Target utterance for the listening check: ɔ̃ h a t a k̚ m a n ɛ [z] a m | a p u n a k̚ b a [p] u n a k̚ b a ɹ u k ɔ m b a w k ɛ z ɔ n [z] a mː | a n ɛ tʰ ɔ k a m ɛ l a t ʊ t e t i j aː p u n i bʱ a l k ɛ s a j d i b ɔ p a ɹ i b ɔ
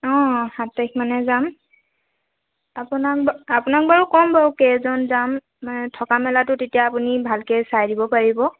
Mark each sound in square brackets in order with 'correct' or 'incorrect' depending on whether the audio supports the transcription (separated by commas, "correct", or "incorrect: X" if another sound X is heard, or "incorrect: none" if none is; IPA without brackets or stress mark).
correct, correct, correct